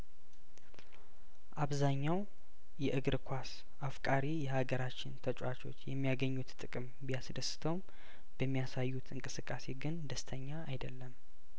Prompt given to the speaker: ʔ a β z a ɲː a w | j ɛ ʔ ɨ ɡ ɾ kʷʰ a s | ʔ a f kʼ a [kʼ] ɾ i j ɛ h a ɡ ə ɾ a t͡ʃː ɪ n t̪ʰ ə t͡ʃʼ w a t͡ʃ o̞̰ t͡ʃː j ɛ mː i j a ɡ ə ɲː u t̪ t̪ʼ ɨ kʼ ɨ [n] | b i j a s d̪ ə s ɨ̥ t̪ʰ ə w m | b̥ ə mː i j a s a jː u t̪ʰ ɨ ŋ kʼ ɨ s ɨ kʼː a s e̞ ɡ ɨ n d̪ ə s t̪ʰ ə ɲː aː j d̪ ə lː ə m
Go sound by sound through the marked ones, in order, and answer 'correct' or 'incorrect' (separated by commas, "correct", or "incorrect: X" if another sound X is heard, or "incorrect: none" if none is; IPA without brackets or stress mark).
incorrect: none, incorrect: m